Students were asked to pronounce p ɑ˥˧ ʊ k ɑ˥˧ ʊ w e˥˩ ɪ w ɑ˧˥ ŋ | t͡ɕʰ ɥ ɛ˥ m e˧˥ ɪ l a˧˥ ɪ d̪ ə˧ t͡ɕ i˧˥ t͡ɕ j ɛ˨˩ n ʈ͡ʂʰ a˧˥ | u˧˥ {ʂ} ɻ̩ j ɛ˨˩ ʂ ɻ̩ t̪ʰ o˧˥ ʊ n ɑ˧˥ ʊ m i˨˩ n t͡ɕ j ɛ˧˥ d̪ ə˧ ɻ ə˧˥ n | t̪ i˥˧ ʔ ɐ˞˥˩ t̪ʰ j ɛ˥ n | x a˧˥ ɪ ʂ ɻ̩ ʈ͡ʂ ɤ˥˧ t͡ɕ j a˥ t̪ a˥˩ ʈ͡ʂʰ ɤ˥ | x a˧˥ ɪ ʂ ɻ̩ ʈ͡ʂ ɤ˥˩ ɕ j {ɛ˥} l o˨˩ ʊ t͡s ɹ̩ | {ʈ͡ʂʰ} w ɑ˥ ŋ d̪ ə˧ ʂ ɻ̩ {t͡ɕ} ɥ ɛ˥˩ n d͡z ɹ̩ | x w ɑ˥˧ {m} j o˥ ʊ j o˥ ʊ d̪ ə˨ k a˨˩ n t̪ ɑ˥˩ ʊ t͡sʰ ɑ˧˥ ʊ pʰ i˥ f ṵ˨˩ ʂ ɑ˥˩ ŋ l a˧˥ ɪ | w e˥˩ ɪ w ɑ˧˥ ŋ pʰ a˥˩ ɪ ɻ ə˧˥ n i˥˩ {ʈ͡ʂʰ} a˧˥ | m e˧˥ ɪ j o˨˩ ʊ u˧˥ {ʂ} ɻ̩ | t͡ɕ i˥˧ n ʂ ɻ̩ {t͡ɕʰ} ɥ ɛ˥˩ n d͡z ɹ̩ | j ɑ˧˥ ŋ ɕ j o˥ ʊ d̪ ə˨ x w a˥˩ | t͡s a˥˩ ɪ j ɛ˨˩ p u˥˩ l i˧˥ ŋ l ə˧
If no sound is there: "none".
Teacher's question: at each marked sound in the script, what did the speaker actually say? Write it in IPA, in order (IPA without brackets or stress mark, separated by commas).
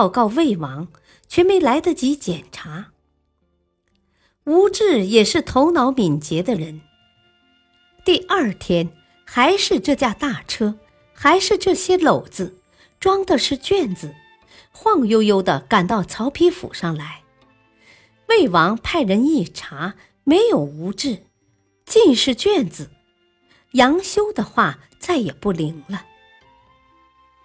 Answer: ʈ͡ʂ, ɛ˥, ʈ͡ʂ, t͡ɕ, ŋ, ʈ͡ʂʰ, ʈ͡ʂ, t͡ɕ